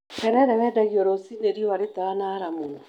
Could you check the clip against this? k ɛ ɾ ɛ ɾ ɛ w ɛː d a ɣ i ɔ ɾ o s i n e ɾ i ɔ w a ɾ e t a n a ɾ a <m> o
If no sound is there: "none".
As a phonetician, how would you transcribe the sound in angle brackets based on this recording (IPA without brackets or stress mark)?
m